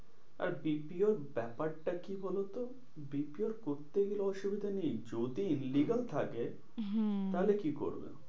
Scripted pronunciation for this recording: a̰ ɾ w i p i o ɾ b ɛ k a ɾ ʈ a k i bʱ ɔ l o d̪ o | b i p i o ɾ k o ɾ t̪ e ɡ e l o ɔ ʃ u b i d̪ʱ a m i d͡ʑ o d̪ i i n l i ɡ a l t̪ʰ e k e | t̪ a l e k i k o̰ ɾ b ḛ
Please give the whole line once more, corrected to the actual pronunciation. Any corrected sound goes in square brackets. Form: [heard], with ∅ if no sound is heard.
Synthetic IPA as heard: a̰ ɾ [b] i p i o ɾ b ɛ [p] a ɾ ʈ a k i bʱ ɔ l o [t̪] o | b i p i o ɾ k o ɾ t̪ e ɡ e l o ɔ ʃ u b i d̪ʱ a [n] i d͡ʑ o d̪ i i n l i ɡ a l t̪ʰ [a] k e | t̪ a l e k i k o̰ ɾ b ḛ